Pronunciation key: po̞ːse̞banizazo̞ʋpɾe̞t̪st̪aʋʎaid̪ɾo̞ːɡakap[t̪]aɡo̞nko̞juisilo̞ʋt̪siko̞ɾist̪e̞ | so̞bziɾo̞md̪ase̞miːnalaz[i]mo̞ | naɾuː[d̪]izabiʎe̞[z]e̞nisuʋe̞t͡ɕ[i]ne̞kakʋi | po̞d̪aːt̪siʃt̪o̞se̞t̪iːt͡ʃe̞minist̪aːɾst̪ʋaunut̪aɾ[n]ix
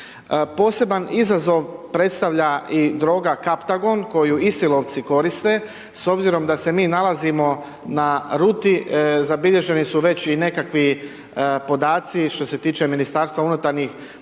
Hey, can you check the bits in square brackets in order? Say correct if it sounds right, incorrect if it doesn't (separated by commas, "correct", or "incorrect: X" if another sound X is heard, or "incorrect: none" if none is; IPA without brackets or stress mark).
correct, correct, incorrect: t̪, incorrect: ʒ, correct, incorrect: ɲ